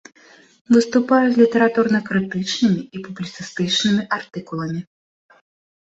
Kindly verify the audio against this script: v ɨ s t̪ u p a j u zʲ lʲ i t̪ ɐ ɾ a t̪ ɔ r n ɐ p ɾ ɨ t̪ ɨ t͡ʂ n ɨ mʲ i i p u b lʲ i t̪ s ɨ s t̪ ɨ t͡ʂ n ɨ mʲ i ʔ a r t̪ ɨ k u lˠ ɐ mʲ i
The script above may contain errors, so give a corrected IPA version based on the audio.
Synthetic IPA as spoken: v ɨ s t̪ u p a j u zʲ lʲ i t̪ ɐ ɾ a t̪ u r n ɐ k ɾ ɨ t̪ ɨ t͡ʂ n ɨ mʲ i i p u b lʲ i t̪ s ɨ s t̪ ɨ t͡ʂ n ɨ mʲ i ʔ a r t̪ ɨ k u lˠ ɐ mʲ i